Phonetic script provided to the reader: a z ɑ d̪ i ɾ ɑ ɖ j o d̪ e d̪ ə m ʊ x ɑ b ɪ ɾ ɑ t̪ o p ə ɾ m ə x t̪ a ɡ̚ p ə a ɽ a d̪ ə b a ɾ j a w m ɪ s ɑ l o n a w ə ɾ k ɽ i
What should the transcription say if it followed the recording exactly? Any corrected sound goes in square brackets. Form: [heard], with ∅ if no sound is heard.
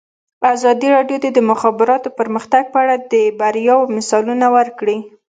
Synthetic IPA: a z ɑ d̪ i ɾ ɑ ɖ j o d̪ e d̪ ə m ʊ x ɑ b ɪ ɾ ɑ t̪ o p ə ɾ m ə x t̪ a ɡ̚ p ə a ɽ a d̪ ə b a ɾ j [ɑ] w m ɪ s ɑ l [u] n a w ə ɾ k ɽ i